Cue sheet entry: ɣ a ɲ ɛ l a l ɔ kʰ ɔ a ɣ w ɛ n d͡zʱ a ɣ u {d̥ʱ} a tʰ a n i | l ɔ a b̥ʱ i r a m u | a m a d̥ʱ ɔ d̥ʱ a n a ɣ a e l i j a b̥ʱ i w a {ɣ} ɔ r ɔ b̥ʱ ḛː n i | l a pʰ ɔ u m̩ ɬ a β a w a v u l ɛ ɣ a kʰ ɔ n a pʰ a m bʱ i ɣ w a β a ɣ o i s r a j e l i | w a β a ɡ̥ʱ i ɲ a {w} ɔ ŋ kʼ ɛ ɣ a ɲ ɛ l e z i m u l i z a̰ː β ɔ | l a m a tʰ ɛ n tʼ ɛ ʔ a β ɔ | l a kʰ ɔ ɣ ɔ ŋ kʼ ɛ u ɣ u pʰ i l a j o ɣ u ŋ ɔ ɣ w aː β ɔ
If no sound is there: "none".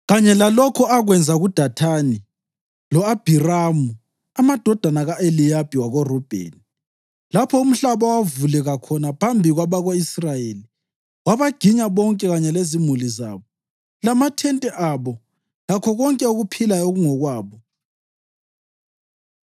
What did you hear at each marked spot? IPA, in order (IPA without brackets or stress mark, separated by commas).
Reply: d̥ʱ, ɣ, β